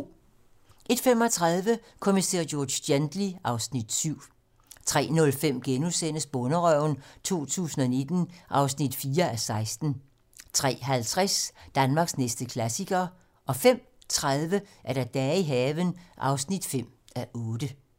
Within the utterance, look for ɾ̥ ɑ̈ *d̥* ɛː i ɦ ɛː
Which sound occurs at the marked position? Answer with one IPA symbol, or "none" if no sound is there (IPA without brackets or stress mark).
d̥